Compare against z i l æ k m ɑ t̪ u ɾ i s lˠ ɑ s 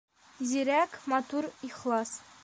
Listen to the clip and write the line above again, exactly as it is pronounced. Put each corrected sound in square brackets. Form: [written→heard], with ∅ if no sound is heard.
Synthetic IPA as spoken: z i [l→ɾ] æ k m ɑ t̪ u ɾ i [s→χ] lˠ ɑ s